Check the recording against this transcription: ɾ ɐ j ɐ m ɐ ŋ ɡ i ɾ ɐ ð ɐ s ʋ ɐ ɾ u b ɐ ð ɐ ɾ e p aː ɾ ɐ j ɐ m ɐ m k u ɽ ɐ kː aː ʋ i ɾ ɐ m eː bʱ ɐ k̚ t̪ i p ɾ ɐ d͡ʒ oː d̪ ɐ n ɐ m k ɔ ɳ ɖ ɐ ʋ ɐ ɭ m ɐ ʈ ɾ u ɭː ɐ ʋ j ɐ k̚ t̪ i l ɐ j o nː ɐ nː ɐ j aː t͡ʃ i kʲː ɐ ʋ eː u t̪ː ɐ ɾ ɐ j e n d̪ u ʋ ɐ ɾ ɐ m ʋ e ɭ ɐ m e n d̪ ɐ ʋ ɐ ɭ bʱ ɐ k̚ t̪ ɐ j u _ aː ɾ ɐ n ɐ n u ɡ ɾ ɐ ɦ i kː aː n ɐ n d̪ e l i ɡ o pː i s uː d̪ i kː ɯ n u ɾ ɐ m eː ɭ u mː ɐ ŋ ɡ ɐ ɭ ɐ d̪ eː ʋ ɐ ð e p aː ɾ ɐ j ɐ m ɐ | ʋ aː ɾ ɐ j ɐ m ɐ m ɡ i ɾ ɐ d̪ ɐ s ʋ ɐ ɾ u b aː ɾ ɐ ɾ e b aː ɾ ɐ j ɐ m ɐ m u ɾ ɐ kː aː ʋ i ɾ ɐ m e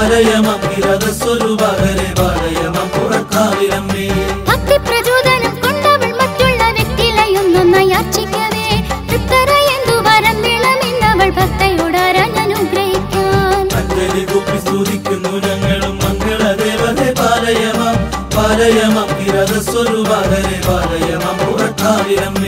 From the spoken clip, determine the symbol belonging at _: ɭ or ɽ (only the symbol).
ɽ